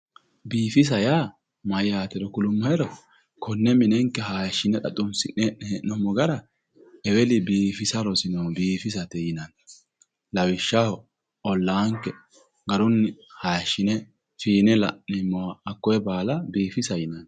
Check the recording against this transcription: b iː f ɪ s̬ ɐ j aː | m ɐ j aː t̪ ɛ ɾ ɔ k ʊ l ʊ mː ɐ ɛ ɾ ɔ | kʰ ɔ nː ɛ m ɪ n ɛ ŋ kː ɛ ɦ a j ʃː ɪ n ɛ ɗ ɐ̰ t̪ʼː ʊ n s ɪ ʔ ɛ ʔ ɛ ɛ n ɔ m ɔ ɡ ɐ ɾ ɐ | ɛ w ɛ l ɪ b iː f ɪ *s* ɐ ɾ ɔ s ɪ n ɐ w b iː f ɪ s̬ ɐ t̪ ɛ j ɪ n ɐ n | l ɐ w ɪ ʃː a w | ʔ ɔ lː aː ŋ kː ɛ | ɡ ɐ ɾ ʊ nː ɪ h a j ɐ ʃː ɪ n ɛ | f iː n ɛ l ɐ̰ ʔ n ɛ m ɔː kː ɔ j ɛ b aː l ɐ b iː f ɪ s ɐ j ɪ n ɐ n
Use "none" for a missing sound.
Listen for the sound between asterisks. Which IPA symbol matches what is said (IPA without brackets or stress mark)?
s